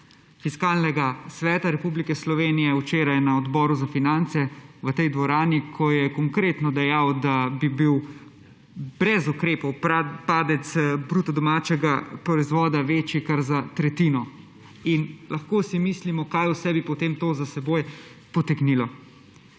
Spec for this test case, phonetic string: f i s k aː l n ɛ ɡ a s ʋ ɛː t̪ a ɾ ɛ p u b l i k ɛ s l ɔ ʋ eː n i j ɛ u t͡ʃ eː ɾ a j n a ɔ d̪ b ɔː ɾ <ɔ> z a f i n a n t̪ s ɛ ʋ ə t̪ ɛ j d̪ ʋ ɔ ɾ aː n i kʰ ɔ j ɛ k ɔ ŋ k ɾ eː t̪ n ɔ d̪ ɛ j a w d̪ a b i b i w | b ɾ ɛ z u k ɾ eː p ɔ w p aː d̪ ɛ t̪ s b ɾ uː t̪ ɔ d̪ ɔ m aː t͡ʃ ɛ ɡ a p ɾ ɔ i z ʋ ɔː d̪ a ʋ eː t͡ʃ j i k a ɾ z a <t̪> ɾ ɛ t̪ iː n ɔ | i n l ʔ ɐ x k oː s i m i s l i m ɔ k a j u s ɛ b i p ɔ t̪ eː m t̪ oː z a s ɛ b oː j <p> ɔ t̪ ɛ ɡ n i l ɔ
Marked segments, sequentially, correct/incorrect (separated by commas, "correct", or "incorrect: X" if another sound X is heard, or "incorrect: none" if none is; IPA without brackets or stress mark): incorrect: u, correct, correct